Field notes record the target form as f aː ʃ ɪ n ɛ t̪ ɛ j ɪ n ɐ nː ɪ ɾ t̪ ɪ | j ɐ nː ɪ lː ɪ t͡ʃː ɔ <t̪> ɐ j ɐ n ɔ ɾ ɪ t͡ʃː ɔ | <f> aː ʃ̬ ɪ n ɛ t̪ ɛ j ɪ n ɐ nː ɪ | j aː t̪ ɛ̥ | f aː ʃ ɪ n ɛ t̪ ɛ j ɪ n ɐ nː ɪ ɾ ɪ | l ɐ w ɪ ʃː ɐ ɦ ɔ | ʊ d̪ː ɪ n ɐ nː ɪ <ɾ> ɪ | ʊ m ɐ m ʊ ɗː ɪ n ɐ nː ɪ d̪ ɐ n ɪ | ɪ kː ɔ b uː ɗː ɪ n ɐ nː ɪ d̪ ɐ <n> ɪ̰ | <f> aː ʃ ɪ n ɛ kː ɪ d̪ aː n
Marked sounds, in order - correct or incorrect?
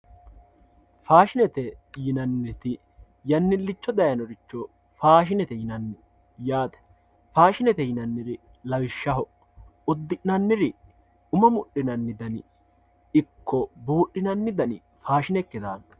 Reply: incorrect, correct, correct, correct, correct

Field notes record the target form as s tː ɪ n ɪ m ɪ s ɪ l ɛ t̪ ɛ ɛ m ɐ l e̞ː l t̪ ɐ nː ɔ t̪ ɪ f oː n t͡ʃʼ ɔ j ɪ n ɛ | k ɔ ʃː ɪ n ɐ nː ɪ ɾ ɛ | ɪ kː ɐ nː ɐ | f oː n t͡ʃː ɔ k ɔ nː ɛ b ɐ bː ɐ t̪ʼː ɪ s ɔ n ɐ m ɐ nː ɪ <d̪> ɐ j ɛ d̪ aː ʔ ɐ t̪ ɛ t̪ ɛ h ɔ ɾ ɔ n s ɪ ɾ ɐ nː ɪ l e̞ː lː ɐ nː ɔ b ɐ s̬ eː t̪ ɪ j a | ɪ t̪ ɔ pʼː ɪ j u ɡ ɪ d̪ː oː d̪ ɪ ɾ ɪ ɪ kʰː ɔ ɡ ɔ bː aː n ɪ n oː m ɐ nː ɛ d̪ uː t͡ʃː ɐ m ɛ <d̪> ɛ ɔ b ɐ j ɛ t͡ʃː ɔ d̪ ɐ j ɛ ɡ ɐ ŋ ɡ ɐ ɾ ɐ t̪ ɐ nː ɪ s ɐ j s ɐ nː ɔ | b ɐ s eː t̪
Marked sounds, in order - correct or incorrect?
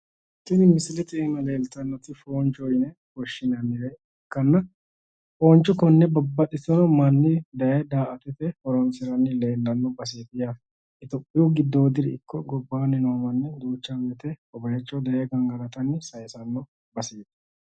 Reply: correct, incorrect

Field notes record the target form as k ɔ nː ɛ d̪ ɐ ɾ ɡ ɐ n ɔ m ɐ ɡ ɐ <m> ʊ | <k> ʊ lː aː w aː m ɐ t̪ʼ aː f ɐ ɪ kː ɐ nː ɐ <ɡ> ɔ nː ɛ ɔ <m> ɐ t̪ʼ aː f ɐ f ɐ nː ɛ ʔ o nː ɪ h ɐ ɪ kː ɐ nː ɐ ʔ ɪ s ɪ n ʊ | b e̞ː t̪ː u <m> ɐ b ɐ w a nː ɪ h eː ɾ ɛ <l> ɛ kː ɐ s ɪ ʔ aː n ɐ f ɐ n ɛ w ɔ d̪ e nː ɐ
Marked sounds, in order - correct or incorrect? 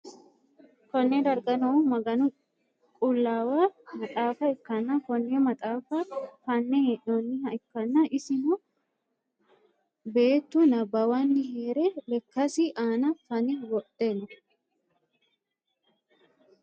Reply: incorrect, incorrect, incorrect, correct, incorrect, correct

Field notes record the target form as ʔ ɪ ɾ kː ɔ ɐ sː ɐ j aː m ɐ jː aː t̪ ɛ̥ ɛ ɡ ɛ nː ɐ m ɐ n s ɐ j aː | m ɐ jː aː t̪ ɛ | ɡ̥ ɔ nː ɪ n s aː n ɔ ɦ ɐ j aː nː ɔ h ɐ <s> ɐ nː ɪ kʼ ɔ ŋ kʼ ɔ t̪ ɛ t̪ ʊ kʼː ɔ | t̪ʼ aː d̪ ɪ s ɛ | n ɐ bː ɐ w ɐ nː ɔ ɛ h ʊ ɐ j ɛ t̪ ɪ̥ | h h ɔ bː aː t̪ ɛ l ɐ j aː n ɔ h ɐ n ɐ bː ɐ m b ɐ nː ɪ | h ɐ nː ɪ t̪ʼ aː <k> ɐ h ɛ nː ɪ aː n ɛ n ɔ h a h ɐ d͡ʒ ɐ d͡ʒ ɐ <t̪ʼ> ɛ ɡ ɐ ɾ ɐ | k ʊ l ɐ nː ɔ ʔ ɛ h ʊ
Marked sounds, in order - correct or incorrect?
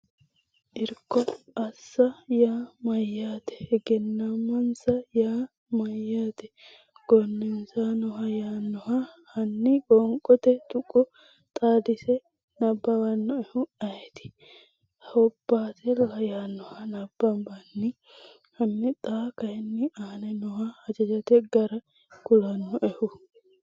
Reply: incorrect, correct, incorrect

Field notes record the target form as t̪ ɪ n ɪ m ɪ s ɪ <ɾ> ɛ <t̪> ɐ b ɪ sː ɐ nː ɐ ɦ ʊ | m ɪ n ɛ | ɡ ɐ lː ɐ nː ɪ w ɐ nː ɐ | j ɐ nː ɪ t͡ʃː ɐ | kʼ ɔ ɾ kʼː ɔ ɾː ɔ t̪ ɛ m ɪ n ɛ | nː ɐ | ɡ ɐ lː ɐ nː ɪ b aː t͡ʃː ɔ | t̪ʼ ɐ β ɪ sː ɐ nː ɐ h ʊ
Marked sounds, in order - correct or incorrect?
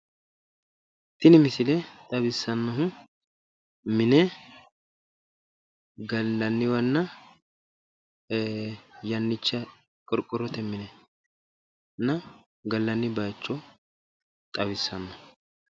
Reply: incorrect, incorrect

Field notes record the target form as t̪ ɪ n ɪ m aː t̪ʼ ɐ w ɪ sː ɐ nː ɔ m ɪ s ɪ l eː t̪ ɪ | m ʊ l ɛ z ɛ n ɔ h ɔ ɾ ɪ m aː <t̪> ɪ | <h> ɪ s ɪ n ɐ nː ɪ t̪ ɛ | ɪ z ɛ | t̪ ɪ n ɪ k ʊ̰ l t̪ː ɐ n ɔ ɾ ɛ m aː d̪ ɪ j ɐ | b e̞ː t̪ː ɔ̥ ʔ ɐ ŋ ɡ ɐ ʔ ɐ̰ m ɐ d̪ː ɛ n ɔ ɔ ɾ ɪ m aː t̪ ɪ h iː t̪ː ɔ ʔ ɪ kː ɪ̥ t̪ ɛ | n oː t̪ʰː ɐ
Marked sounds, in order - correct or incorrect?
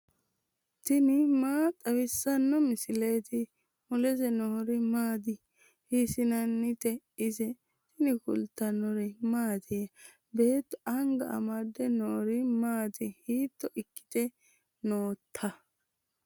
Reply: incorrect, correct

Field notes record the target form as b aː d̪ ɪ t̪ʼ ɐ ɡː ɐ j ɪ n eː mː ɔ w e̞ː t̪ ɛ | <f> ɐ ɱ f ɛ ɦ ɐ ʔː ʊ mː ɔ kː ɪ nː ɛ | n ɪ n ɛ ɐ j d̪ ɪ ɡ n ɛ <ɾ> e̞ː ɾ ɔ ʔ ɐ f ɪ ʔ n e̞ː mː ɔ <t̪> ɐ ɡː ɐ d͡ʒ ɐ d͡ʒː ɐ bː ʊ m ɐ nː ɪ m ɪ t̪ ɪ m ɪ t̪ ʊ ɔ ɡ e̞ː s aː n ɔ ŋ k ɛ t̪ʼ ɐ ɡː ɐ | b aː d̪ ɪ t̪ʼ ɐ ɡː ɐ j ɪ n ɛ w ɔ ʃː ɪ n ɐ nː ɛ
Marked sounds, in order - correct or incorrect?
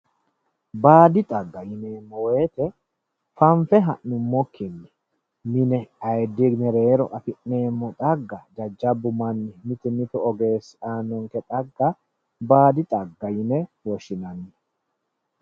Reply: correct, correct, incorrect

